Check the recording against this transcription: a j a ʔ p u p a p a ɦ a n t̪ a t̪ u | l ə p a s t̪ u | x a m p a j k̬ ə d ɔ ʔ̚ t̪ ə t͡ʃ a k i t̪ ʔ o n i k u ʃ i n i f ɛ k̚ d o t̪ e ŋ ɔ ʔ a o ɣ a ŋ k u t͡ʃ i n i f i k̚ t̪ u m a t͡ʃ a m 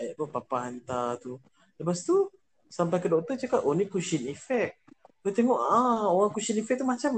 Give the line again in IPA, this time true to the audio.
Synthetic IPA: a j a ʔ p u p a p a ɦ a n t̪ a t̪ u | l ə p a s t̪ u | s a m p a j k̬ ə d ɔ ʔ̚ t̪ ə t͡ʃ a k a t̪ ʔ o n i k u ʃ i n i f ɛ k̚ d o t̪ e ŋ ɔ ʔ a o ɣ a ŋ k u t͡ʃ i n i f ɛ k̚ t̪ u m a t͡ʃ a m